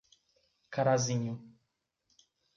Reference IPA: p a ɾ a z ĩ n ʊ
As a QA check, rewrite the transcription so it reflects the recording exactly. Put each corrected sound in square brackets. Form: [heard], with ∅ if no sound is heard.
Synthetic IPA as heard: [k] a ɾ a z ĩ [ɲ] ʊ